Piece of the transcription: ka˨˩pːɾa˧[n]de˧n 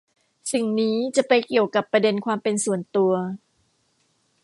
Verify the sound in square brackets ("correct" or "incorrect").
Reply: incorrect